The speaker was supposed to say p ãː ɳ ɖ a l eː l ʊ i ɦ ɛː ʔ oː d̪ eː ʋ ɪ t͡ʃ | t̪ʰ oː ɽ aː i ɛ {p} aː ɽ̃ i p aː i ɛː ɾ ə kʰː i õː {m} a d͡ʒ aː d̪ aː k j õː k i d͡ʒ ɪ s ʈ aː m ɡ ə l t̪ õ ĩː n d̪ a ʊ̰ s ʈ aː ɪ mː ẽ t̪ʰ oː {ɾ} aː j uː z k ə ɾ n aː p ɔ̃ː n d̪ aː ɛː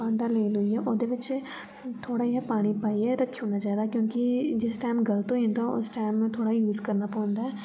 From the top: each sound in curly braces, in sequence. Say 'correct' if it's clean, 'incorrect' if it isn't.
correct, incorrect: n, incorrect: ɽ

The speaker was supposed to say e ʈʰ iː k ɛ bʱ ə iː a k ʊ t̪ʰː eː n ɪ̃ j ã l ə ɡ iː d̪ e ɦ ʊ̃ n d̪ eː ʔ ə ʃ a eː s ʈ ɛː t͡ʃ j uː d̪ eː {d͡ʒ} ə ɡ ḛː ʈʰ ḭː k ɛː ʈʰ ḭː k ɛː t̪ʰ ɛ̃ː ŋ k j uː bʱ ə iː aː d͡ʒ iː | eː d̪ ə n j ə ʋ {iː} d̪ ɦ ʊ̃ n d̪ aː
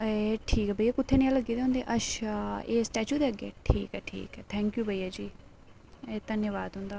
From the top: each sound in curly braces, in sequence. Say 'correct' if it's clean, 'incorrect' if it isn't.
incorrect: none, incorrect: aː

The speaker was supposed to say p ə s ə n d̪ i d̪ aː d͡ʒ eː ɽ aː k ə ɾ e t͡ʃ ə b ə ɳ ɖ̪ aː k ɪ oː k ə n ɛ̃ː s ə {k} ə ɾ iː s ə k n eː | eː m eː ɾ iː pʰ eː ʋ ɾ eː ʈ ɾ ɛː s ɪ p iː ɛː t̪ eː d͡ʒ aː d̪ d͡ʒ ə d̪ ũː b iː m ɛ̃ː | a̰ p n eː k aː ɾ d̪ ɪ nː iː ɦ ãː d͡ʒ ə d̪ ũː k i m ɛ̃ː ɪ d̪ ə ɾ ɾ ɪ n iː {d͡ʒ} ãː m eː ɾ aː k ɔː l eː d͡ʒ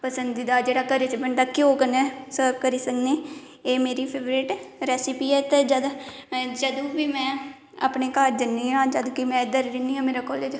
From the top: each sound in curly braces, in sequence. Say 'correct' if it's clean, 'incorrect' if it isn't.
correct, incorrect: none

